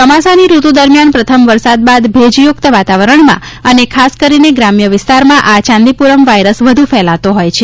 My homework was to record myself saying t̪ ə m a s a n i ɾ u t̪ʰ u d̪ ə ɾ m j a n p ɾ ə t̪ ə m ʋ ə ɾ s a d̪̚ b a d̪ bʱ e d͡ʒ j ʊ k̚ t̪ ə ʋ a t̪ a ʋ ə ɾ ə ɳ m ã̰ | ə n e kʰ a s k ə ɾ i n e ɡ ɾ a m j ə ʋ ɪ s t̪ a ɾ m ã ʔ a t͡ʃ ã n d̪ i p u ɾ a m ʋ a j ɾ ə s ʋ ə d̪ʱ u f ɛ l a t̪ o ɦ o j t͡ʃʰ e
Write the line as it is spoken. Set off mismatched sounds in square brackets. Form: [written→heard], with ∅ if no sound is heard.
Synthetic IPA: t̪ ə m a s a n i ɾ u [t̪ʰ→t̪] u d̪ ə ɾ m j a n p ɾ ə [t̪→t̪ʰ] ə m ʋ ə ɾ s a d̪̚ b a d̪ bʱ e d͡ʒ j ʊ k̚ t̪ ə ʋ a t̪ a ʋ ə ɾ ə ɳ m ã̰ | ə n e kʰ a s k ə ɾ i n e ɡ ɾ a m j ə ʋ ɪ s t̪ a ɾ m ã ʔ a t͡ʃ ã n d̪ i p u ɾ [a→ə] m ʋ a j ɾ ə s ʋ ə d̪ʱ u f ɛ l a t̪ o ɦ o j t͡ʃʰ e

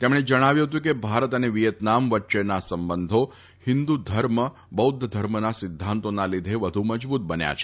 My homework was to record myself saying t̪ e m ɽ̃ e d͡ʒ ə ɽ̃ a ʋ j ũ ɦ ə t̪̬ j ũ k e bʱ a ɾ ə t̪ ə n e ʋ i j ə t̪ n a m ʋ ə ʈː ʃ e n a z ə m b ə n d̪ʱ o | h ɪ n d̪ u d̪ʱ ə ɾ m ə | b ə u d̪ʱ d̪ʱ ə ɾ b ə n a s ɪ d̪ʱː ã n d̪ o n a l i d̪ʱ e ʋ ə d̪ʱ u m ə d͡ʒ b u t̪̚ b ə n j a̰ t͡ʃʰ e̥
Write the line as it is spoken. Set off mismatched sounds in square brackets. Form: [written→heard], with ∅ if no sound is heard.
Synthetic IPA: t̪ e m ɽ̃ e d͡ʒ ə ɽ̃ a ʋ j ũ ɦ ə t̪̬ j ũ k e bʱ a ɾ ə t̪ ə n e ʋ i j ə t̪ n a m ʋ ə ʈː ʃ e n a [z→s] ə m b ə n d̪ʱ o | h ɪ n d̪ u d̪ʱ ə ɾ m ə | b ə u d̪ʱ d̪ʱ ə ɾ [b→m] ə n a s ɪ d̪ʱː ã n [d̪→t̪] o n a l i d̪ʱ e ʋ ə d̪ʱ u m ə d͡ʒ b u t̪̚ b ə n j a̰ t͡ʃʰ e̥

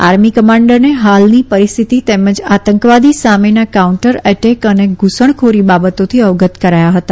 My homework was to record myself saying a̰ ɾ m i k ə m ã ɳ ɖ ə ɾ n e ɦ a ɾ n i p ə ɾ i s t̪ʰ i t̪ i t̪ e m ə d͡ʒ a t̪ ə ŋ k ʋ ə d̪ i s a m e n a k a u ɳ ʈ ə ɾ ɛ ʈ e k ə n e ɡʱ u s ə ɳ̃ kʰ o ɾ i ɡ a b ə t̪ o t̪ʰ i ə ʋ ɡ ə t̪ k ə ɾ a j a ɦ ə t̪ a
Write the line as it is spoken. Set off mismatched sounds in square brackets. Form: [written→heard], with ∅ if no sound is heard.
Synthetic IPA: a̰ ɾ m i k ə m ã ɳ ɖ ə ɾ n e ɦ a [ɾ→l] n i p ə ɾ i s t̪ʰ i t̪ i t̪ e m ə d͡ʒ a t̪ ə ŋ k ʋ [ə→a] d̪ i s a m e n a k a u ɳ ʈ ə ɾ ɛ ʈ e k ə n e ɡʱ u s ə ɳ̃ kʰ o ɾ i [ɡ→b] a b ə t̪ o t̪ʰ i ə ʋ ɡ ə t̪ k ə ɾ a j a ɦ ə t̪ a

